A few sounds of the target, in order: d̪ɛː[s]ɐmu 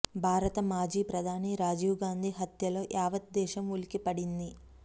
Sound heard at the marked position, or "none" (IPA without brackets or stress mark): ʃ